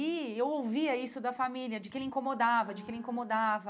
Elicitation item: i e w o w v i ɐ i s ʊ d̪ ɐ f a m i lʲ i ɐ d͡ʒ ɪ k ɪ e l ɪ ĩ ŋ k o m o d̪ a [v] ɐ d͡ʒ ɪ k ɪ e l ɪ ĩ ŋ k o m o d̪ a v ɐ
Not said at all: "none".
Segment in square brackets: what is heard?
v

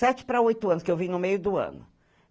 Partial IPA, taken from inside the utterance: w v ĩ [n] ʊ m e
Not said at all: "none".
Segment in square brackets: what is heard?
n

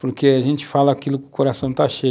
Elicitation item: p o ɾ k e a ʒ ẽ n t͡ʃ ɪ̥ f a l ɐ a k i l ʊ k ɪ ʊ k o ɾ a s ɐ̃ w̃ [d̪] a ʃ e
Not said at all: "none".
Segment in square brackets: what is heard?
t̪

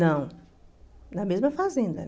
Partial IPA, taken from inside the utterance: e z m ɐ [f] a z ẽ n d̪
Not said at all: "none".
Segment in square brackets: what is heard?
f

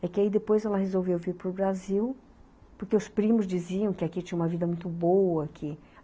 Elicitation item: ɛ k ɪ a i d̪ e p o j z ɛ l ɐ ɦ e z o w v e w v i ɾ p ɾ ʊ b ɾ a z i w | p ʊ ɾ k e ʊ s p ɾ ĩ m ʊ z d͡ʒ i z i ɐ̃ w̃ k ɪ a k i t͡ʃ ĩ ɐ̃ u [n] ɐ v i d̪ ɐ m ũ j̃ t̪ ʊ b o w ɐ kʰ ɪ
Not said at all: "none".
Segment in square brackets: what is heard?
m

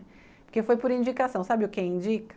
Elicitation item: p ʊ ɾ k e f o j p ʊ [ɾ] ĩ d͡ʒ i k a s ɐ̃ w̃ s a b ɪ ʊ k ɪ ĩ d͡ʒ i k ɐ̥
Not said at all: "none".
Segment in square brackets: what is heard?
ɾ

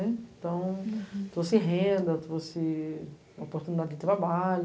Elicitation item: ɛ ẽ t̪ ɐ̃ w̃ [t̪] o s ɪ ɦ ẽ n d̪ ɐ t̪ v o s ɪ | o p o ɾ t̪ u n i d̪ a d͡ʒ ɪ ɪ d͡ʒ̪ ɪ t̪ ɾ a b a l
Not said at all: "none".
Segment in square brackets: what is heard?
t̪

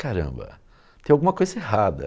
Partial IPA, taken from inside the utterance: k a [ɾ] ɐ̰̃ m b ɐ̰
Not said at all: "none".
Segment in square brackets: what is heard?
ɾ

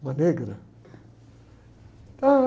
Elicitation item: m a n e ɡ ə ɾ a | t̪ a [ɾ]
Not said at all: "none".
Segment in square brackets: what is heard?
none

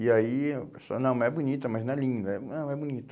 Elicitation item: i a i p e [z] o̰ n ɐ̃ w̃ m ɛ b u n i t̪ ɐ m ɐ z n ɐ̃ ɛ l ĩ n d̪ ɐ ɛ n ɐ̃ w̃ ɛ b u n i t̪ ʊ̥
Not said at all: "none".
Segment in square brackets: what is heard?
s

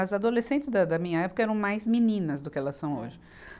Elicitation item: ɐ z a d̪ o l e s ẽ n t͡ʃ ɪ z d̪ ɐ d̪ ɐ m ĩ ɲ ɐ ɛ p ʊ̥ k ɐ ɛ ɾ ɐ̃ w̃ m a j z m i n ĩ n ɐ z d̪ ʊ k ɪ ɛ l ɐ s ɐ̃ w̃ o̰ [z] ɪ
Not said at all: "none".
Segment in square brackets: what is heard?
ʒ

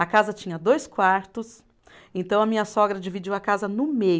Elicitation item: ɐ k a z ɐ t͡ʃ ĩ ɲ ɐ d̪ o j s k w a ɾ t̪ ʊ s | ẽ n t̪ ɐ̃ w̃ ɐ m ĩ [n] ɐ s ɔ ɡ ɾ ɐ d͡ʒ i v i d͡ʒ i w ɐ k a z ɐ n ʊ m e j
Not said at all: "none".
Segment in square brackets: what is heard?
ɲ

